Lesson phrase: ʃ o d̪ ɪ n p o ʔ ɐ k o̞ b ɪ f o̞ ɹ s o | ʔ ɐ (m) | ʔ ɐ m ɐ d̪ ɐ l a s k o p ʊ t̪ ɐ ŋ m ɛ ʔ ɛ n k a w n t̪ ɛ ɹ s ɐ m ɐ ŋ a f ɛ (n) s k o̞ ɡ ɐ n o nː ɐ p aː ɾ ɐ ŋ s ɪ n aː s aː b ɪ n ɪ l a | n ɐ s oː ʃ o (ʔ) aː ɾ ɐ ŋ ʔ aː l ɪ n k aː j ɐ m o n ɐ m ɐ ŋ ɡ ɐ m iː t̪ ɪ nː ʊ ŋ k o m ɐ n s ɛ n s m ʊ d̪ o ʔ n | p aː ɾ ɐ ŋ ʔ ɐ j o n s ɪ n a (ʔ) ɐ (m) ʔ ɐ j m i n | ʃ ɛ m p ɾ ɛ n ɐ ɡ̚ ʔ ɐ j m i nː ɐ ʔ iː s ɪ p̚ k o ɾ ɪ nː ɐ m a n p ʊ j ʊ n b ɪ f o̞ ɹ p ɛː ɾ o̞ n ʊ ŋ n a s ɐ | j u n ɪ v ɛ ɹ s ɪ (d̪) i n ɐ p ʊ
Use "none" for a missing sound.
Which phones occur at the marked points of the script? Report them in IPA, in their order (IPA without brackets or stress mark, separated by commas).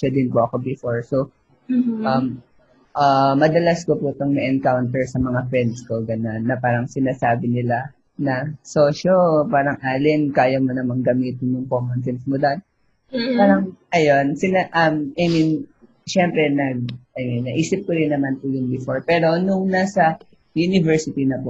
m, n, p, ʔ, m, t̪